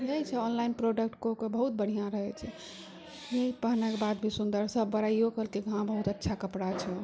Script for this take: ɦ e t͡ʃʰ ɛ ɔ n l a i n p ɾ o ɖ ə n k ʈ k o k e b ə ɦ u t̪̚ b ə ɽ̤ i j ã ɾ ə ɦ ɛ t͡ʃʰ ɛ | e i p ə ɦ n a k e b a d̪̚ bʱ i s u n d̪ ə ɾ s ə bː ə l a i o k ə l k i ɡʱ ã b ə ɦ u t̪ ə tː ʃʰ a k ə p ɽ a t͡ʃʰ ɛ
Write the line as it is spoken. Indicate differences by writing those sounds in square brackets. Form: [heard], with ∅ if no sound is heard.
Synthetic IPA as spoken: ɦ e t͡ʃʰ ɛ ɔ n l a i n p ɾ o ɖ ə [∅] k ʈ k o k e b ə ɦ u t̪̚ b ə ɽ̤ i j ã ɾ ə ɦ ɛ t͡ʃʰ ɛ | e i p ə ɦ n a k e b a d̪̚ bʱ i s u n d̪ ə ɾ s ə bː ə [ɾ] a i o k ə l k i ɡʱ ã b ə ɦ u t̪ ə tː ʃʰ a k ə p ɽ a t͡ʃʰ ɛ